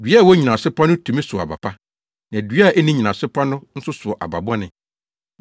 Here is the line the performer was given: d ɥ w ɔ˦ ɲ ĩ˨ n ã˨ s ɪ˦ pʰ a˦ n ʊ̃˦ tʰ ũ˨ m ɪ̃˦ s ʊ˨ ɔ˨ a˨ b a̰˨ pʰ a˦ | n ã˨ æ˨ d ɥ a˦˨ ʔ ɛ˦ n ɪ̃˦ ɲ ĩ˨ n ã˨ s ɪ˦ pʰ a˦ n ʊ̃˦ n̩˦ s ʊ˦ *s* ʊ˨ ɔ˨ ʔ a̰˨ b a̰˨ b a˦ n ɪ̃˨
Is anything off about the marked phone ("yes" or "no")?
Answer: no